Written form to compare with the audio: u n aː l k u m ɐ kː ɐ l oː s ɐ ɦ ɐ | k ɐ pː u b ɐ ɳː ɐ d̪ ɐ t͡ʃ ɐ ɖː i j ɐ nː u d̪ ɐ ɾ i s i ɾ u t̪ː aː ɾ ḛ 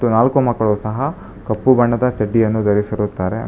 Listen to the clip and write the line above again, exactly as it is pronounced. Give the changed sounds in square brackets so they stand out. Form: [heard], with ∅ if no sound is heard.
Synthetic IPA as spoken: u n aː l k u m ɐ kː ɐ [ɭ] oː s ɐ ɦ ɐ | k ɐ pː u b ɐ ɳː ɐ d̪ ɐ t͡ʃ ɐ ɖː i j ɐ nː u d̪ ɐ ɾ i s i ɾ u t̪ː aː ɾ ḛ